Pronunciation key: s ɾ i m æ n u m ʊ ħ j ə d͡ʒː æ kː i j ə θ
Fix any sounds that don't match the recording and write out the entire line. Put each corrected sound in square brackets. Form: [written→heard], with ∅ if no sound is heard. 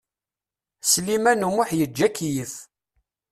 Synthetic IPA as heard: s [ɾ→l] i m æ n u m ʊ ħ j ə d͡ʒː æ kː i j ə θ